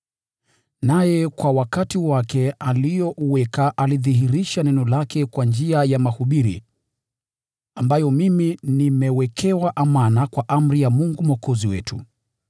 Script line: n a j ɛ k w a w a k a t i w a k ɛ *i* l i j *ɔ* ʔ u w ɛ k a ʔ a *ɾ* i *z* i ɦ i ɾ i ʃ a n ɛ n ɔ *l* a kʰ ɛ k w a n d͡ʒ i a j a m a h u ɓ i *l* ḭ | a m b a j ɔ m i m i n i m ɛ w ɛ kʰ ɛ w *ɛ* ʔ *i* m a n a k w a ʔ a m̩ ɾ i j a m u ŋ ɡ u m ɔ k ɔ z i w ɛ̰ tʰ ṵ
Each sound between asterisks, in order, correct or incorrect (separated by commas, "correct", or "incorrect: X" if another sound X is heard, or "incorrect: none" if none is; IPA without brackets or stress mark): incorrect: a, correct, incorrect: l, incorrect: ð, correct, incorrect: ɾ, incorrect: a, incorrect: a